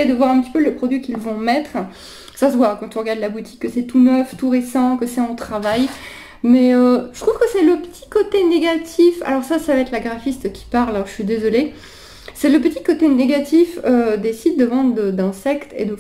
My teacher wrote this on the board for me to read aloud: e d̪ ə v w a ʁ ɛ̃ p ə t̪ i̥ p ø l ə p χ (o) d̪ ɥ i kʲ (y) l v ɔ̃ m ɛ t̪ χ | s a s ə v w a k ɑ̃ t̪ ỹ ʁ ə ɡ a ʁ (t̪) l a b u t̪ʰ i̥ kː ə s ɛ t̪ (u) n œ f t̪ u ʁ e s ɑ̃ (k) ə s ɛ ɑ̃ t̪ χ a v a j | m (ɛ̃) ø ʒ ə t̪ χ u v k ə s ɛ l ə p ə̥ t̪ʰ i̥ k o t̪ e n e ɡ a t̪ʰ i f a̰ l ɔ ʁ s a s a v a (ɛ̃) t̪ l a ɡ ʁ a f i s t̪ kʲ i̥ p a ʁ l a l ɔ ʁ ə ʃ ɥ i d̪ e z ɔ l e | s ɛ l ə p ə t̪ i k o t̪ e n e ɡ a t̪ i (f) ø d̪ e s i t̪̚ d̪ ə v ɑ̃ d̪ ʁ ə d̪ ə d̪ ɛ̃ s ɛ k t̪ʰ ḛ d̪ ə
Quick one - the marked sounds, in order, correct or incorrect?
incorrect, incorrect, incorrect, correct, correct, incorrect, incorrect, correct

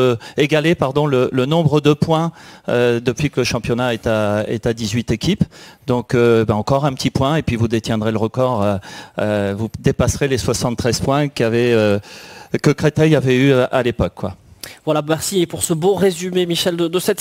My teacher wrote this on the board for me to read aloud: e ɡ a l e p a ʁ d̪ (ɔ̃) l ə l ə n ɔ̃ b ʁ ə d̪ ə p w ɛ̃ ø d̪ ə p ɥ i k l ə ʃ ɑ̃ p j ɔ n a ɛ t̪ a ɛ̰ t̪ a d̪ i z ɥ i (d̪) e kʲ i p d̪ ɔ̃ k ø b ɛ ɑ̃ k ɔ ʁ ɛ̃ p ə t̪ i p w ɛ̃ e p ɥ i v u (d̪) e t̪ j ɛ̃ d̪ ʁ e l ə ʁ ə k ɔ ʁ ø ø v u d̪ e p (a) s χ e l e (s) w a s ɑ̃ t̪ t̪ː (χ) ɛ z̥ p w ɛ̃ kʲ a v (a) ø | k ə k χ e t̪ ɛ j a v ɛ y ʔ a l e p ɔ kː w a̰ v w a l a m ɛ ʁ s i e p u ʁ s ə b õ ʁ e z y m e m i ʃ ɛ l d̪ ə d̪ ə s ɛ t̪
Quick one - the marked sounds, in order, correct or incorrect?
correct, incorrect, correct, correct, correct, correct, incorrect

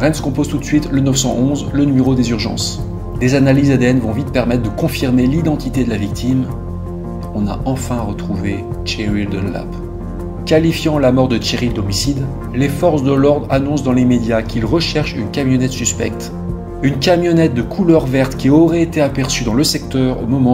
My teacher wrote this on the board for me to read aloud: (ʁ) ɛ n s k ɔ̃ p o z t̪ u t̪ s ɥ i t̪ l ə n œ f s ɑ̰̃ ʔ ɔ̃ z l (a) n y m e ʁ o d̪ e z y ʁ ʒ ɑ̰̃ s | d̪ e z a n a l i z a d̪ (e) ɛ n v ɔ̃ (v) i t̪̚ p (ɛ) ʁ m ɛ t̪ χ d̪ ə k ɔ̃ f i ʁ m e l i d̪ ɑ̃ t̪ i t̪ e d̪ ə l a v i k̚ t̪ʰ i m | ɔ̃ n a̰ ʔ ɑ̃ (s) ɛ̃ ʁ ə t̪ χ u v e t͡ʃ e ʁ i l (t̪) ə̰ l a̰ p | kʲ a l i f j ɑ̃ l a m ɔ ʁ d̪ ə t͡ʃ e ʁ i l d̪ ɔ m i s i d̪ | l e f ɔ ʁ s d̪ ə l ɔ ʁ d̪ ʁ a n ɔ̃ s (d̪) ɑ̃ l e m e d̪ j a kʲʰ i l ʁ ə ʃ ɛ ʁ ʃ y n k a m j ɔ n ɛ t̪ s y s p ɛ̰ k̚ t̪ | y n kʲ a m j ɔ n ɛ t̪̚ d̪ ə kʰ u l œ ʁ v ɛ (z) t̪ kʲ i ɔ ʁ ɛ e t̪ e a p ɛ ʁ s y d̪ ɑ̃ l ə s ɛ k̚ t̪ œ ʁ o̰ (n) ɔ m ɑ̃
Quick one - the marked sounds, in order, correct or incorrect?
correct, incorrect, correct, correct, correct, incorrect, incorrect, correct, incorrect, incorrect

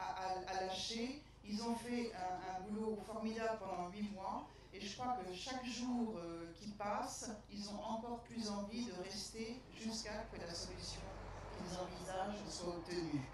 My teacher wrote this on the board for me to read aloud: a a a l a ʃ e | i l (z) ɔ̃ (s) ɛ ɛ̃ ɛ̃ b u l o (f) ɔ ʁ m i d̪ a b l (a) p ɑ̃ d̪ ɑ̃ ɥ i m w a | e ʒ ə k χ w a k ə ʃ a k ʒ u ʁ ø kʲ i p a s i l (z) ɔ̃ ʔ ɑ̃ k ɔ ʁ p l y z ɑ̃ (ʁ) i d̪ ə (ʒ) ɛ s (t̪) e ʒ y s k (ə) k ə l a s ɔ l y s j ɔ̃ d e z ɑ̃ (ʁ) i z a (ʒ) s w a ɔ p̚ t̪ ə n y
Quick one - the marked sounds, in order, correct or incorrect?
correct, incorrect, correct, incorrect, correct, incorrect, incorrect, correct, incorrect, incorrect, correct

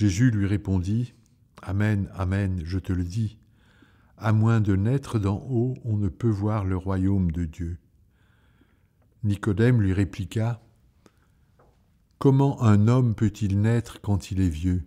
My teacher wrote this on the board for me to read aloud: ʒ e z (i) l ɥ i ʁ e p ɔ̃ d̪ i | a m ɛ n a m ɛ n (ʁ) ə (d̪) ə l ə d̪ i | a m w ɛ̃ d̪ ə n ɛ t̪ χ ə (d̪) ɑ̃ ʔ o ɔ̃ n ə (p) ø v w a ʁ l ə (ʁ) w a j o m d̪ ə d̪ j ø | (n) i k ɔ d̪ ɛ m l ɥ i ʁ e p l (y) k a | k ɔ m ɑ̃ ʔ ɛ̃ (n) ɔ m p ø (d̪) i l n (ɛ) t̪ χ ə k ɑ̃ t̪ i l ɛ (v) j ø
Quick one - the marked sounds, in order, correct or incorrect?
incorrect, incorrect, incorrect, correct, correct, correct, correct, incorrect, correct, incorrect, correct, correct

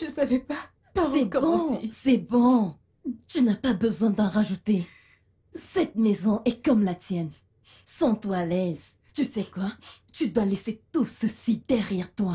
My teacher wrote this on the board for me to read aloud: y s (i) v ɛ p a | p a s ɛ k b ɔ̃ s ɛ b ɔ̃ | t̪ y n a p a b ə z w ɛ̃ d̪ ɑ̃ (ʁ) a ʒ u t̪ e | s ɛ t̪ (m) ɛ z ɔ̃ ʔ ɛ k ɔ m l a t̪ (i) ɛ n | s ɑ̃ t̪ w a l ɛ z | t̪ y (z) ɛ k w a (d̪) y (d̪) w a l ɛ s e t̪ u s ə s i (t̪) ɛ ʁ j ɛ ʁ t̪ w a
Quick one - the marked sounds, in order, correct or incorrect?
incorrect, correct, correct, incorrect, incorrect, incorrect, correct, incorrect

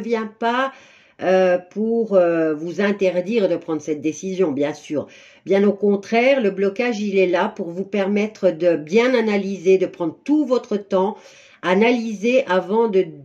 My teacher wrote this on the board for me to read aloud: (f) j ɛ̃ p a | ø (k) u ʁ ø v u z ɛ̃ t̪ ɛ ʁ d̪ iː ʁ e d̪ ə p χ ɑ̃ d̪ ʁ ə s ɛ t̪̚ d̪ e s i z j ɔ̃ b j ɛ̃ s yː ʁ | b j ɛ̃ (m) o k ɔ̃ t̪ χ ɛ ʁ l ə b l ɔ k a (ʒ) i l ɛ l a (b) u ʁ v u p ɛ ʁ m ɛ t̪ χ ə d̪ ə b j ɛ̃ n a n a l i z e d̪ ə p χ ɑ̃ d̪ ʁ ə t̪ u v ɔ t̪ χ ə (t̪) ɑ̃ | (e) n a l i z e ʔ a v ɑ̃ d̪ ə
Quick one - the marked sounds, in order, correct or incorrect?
incorrect, incorrect, incorrect, correct, incorrect, correct, incorrect

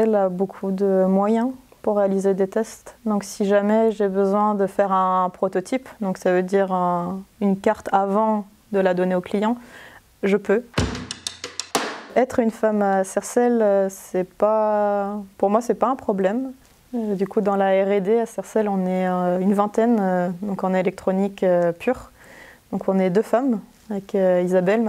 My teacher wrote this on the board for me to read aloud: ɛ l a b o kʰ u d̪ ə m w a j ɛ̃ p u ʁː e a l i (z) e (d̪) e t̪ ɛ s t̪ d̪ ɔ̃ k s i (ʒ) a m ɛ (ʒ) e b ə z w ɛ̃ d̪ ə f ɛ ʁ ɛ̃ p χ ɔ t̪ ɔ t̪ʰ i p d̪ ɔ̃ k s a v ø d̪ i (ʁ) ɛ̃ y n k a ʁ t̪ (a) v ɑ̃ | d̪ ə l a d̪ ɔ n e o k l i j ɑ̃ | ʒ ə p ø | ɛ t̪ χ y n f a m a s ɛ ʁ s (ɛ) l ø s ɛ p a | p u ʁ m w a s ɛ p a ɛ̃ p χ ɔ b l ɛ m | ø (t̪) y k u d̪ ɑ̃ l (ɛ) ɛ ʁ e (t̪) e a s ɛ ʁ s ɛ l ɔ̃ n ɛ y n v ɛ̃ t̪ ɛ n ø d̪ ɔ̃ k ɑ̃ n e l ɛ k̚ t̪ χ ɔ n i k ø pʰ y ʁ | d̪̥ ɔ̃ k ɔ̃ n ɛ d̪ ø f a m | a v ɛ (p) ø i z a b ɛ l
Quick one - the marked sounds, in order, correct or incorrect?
correct, correct, correct, correct, correct, correct, correct, incorrect, incorrect, incorrect, incorrect

